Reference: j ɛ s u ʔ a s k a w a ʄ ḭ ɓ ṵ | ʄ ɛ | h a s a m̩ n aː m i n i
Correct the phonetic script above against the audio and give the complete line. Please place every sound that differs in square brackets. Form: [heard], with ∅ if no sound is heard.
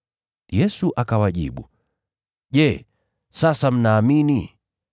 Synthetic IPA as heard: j ɛ s u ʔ a [∅] k a w a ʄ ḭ ɓ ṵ | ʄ ɛ | [s] a s a m̩ n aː m i n i